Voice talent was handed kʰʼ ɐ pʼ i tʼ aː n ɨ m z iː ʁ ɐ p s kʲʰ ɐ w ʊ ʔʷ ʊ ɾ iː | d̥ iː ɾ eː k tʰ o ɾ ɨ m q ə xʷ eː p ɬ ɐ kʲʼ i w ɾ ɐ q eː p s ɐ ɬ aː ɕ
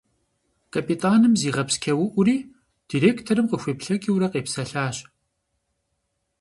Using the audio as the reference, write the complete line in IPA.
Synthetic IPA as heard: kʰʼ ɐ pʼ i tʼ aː n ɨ m z iː ʁ ɐ p s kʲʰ ɐ w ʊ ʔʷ ʊ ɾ iː | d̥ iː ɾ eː k tʰ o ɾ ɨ m q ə xʷ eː p ɬ ɐ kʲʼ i w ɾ ɐ q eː p s ɐ ɬ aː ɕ